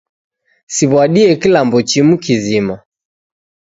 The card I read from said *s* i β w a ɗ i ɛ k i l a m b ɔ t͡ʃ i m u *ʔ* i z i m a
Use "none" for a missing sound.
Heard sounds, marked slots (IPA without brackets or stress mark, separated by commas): s, k